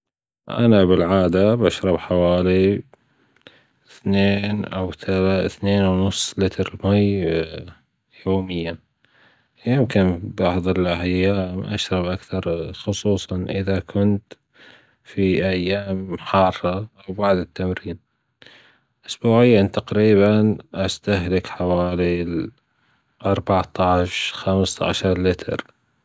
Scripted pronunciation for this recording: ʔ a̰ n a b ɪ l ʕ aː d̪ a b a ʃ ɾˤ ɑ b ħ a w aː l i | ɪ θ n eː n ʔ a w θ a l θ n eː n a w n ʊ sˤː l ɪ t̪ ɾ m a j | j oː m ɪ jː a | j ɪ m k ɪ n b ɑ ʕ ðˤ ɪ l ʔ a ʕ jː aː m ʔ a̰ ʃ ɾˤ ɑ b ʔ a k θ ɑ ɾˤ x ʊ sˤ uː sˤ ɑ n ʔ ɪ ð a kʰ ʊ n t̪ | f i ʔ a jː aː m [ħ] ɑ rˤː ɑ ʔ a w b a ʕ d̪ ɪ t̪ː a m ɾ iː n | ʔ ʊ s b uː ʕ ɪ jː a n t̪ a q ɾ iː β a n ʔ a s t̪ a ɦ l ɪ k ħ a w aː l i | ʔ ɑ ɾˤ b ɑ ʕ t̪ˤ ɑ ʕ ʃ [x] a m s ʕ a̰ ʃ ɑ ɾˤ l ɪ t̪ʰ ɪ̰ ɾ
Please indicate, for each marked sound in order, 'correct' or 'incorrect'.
correct, correct

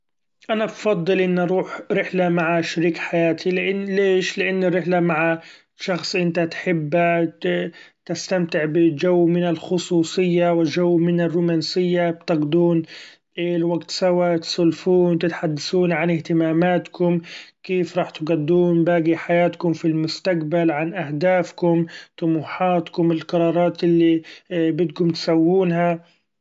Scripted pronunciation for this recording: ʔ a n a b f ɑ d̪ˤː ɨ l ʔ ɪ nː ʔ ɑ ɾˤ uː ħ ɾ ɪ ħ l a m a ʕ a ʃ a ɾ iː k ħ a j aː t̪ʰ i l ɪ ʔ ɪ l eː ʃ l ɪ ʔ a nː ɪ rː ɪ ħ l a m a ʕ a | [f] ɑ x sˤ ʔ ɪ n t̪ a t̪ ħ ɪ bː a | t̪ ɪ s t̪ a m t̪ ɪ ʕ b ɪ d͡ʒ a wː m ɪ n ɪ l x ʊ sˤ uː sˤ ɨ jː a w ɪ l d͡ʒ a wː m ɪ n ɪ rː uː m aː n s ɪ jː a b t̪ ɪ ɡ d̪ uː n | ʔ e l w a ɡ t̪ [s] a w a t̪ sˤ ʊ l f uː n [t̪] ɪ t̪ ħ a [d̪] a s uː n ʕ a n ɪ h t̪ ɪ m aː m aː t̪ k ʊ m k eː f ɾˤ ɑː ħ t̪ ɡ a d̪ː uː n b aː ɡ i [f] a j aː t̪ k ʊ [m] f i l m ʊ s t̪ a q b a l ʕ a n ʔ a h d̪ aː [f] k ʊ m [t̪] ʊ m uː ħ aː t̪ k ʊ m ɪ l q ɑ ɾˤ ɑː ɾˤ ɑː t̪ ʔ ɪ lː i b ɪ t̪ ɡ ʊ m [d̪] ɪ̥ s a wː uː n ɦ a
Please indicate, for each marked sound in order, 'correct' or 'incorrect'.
incorrect: ʃ, correct, correct, incorrect: d̪ː, incorrect: ħ, correct, correct, correct, incorrect: t̪

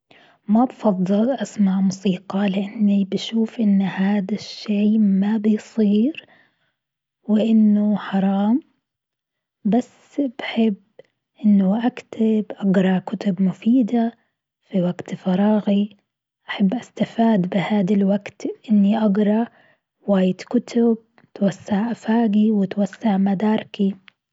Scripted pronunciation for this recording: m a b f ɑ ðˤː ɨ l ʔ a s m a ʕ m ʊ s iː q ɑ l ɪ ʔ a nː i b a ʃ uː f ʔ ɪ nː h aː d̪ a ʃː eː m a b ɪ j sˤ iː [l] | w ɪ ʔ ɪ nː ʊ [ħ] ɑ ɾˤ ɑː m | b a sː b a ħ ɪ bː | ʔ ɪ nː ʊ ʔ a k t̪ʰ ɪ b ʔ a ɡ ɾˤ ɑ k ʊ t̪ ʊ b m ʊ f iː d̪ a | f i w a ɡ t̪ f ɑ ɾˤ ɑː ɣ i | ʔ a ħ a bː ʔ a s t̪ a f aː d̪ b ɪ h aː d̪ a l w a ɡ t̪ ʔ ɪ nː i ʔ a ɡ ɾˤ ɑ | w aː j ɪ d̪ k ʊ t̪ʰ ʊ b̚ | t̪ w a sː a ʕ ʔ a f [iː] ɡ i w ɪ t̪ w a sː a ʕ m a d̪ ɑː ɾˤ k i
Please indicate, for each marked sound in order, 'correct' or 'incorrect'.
incorrect: ɾ, correct, incorrect: aː

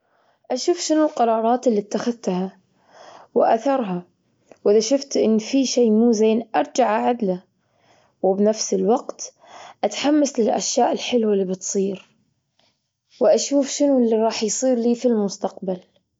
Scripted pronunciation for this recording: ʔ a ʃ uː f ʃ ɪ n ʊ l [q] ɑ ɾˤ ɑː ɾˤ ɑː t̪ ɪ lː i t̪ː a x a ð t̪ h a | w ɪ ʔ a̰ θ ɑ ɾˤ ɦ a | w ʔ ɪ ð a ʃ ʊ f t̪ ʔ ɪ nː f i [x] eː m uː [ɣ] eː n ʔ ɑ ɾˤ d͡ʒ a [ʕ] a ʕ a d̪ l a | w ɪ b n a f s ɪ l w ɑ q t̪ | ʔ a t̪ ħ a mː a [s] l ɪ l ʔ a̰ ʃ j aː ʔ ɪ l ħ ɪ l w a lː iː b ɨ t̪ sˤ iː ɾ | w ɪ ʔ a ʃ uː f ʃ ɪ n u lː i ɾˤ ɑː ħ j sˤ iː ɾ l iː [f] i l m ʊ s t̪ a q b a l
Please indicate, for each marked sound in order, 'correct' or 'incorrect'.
correct, incorrect: ʃ, incorrect: z, correct, correct, correct

